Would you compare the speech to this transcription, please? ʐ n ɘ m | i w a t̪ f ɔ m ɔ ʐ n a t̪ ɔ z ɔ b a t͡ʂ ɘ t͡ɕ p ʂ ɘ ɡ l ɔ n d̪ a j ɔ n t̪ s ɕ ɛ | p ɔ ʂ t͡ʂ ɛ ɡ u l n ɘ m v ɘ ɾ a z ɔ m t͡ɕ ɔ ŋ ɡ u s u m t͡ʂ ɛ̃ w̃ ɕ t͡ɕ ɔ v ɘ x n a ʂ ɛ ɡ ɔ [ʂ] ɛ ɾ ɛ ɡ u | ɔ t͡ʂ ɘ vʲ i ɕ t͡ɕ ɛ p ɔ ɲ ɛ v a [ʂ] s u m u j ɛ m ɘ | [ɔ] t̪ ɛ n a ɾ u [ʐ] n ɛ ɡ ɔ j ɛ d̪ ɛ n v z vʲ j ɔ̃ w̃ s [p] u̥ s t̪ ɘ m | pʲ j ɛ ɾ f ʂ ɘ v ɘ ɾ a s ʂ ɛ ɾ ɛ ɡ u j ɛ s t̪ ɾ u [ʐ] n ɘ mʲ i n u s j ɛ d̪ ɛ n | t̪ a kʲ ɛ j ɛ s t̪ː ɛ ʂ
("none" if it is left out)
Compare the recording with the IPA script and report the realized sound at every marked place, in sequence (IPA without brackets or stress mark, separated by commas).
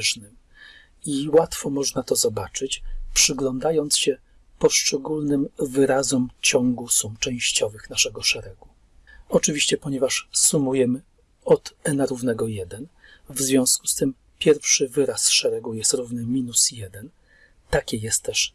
ʂ, ʂ, ɔ, v, k, v